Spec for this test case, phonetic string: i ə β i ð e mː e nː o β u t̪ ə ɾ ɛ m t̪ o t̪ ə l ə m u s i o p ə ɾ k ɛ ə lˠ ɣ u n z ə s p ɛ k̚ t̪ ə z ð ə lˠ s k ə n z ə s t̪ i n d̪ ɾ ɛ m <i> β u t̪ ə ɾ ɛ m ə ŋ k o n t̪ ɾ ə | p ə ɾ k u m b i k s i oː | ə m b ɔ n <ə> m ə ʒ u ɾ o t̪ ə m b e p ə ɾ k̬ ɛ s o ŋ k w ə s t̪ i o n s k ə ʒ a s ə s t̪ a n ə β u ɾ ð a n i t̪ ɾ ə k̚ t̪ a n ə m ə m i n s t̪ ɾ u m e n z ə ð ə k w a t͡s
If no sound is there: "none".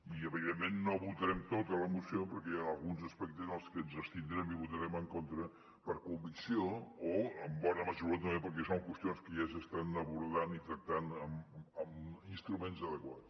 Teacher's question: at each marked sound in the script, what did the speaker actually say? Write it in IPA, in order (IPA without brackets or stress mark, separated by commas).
i, ə